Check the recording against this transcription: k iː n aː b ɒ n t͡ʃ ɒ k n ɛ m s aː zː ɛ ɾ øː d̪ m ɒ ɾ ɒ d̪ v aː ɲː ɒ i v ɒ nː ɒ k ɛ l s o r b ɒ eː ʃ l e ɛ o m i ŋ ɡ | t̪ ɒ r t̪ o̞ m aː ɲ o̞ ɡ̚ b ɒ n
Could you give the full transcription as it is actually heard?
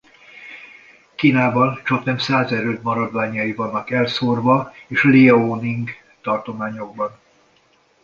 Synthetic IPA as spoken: k iː n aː b ɒ n t͡ʃ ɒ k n ɛ m s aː z ɛ ɾ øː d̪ m ɒ ɾ ɒ d̪ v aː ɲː ɒ i v ɒ nː ɒ k ɛ l s o r v ɒ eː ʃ l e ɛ o n i ŋ ɡ | t̪ ɒ r t̪ o̞ m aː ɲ o̞ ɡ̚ b ɒ n